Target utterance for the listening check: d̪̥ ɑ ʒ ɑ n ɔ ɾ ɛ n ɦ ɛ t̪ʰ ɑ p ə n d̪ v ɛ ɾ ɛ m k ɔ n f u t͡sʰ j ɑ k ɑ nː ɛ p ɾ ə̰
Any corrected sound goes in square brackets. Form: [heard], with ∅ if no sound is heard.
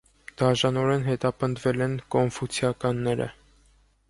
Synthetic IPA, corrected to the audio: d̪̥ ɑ ʒ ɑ n ɔ ɾ ɛ n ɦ ɛ [t̪] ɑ p ə n d̪ v ɛ [l] ɛ [n] k ɔ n f u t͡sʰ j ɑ k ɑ nː ɛ [∅] ɾ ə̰